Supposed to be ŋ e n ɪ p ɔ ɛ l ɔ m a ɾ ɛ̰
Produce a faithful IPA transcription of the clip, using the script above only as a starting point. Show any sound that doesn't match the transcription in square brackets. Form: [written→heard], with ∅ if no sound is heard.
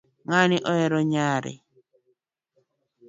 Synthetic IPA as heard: ŋ [e→a] n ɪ [p→ʔ] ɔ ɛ [l→ɾ] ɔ [m→ɲ] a ɾ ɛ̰

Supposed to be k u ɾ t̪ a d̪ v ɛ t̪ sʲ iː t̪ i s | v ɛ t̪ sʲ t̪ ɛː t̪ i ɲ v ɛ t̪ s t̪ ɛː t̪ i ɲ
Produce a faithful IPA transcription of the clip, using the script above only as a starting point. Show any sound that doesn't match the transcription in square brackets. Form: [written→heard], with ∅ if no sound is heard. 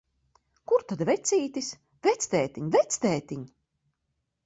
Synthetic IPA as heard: k u ɾ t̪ a d̪ v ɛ t̪ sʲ iː t̪ i s | v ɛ t̪ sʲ t̪ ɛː t̪ i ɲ v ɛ t̪ s t̪ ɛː t̪ i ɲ

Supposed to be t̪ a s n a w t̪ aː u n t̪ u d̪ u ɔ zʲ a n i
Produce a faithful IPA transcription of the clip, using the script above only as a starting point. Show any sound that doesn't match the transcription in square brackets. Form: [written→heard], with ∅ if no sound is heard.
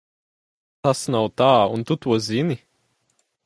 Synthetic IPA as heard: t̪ a s n a w t̪ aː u n t̪ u [d̪→t̪] u ɔ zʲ [a→i] n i

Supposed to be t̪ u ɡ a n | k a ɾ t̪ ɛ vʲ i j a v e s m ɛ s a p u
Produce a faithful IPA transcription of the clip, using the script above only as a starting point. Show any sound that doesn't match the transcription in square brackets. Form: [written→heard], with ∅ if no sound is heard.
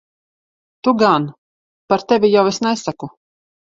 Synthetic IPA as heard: t̪ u ɡ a n | [k→p] a ɾ t̪ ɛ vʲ i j a [v→w] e s [m→n] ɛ s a [p→k] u

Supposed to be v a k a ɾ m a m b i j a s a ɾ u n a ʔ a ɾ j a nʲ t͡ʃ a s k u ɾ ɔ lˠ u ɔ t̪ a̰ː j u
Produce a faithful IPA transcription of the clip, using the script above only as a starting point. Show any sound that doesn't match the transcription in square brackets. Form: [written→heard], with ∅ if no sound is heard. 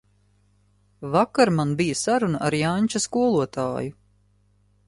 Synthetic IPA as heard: v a k a ɾ m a [m→n] b i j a s a ɾ u n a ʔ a ɾ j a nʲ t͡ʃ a s k u [ɾ→∅] ɔ lˠ u ɔ t̪ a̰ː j u

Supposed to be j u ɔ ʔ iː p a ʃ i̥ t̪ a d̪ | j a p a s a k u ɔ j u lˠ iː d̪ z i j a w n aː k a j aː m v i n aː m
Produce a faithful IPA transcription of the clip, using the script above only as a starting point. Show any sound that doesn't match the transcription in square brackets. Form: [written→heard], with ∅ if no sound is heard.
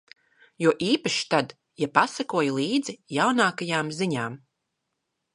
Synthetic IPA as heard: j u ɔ ʔ iː p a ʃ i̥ t̪ a d̪ | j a p a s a k u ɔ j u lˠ iː d̪ z i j a w n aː k a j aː m [v→z] i [n→ɲ] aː m

